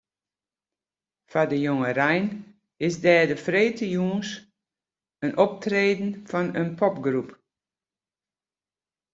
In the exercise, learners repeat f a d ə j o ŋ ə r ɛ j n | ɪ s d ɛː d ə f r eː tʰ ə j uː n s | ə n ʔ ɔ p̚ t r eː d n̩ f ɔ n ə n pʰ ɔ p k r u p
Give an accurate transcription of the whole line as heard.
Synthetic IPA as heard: f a d ə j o ŋ ə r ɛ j n | ɪ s d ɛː d ə f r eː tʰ ə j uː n s | ə n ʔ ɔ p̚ t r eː d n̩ f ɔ n ə n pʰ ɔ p ɡ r u p